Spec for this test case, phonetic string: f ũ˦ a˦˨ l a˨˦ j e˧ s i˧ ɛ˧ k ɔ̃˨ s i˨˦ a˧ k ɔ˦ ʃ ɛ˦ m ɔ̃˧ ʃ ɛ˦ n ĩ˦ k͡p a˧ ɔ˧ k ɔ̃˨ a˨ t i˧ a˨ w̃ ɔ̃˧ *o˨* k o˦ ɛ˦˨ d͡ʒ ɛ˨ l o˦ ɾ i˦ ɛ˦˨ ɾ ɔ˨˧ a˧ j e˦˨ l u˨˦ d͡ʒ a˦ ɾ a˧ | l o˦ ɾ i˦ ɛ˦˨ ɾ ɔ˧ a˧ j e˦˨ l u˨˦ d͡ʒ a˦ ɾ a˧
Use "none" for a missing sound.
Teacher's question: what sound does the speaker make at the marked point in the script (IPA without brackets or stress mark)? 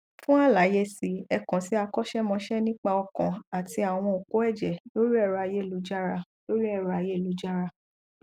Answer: o˨